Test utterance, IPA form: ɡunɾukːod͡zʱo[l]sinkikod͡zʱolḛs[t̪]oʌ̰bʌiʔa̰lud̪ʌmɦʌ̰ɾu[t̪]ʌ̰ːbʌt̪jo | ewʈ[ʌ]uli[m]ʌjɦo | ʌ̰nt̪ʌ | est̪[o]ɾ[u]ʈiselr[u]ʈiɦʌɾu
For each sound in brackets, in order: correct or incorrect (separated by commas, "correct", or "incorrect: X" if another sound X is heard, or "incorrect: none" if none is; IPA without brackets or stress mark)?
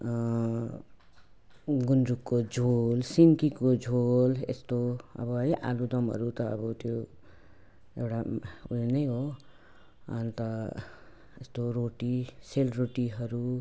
correct, correct, correct, incorrect: a, incorrect: n, correct, incorrect: o, incorrect: o